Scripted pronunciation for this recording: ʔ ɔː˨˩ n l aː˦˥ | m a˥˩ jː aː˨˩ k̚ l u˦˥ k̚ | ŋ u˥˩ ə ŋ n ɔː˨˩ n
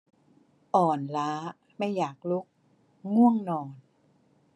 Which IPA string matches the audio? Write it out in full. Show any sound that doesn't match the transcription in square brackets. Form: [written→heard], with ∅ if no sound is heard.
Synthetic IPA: ʔ ɔː˨˩ n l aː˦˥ | m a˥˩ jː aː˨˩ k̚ l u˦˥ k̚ | ŋ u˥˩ ə ŋ n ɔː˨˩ n